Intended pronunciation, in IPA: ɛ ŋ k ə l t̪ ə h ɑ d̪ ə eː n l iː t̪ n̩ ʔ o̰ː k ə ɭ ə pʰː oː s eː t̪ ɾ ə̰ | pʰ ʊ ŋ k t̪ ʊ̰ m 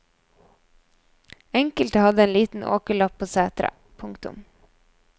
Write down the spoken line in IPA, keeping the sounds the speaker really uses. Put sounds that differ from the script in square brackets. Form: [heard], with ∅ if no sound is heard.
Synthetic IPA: ɛ ŋ k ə l t̪ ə h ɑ d̪ ə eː n l iː t̪ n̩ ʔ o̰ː k ə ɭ [ɑ] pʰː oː s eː t̪ ɾ ə̰ | pʰ ʊ ŋ k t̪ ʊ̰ m